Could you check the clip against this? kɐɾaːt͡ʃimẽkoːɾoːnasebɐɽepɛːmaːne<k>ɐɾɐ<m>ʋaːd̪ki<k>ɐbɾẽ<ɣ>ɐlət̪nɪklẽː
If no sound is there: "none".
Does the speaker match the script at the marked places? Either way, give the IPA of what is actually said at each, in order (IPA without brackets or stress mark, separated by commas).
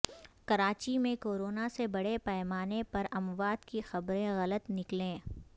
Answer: p, m, x, ɣ